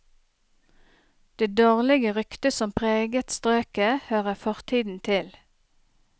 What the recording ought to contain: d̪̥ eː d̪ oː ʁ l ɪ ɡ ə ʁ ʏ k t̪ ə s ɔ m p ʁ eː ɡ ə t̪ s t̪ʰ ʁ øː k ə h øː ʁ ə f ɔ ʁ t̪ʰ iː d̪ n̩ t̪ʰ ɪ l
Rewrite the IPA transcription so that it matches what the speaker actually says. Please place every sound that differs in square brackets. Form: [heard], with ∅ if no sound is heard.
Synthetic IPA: d̪̥ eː d̪ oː ʁ l ɪ ɡ ə ʁ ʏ k t̪ ə s ɔ m [pʰ] ʁ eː ɡ ə t̪ s [t̪] ʁ øː k ə h øː ʁ ə f ɔ ʁ t̪ʰ iː d̪ n̩ t̪ʰ ɪ l